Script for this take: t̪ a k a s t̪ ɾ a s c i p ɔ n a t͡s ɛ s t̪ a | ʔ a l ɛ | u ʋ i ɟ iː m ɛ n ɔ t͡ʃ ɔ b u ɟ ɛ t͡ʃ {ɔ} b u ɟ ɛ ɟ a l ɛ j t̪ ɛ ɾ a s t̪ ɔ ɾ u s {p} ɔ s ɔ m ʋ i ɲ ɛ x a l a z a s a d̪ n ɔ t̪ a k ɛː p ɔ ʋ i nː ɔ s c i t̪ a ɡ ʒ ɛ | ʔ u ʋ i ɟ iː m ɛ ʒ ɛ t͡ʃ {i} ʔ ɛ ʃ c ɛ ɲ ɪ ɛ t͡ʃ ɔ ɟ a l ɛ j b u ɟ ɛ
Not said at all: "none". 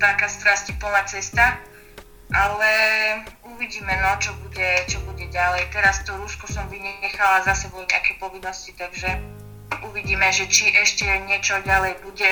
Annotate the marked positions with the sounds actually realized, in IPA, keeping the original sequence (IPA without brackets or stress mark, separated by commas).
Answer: ɔ, k, i